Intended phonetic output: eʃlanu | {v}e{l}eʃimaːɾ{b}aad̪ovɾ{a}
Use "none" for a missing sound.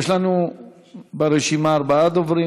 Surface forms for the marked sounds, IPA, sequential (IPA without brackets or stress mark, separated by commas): b, ɾ, b, i